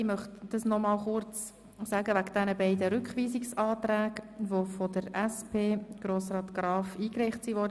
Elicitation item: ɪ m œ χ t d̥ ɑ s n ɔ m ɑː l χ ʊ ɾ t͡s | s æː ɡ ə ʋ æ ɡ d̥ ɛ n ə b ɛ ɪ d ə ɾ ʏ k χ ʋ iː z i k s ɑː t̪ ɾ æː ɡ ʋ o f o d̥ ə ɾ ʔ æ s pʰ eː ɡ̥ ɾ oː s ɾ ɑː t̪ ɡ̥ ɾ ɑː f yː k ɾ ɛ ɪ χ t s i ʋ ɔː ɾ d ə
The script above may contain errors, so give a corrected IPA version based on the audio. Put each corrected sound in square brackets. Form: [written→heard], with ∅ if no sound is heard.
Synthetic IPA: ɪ m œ χ t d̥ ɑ s n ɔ m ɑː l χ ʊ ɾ t͡s | s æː ɡ ə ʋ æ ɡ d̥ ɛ n ə b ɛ ɪ d ə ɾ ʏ k χ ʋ iː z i k s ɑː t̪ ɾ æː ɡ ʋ o f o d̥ ə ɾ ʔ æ s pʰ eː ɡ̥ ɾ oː s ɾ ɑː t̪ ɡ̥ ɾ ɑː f [yː→iː] k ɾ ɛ ɪ χ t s i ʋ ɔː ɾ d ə